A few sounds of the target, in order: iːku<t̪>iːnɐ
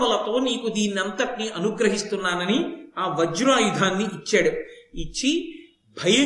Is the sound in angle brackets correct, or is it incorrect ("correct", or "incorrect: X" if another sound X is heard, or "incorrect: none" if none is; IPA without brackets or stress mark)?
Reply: incorrect: d̪